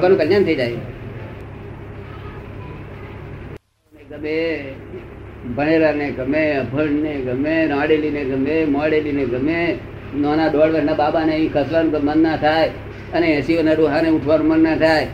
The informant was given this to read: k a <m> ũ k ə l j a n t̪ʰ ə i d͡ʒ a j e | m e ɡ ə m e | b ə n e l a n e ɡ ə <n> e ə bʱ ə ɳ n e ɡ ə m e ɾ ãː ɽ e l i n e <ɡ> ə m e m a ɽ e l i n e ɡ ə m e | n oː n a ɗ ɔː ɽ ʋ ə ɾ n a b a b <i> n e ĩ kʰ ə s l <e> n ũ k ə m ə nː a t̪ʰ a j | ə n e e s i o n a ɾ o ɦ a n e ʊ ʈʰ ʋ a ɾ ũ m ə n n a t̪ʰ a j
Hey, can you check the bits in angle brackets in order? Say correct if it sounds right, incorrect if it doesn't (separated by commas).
incorrect, incorrect, correct, incorrect, incorrect